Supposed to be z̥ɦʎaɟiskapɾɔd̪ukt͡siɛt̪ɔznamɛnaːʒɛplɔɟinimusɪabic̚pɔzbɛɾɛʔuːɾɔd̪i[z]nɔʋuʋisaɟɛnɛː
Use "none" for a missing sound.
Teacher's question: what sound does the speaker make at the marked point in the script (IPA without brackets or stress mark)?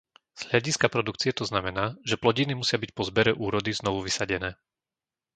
z